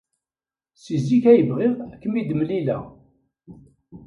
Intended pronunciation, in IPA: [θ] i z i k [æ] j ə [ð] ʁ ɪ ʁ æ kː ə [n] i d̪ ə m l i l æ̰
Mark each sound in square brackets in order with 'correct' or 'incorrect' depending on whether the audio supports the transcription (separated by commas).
incorrect, correct, incorrect, incorrect